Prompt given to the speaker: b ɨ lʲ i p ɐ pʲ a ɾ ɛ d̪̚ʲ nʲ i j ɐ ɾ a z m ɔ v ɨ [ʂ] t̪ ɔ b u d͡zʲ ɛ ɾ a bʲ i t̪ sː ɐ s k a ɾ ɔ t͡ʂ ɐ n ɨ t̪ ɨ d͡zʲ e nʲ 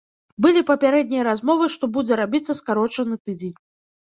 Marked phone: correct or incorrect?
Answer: correct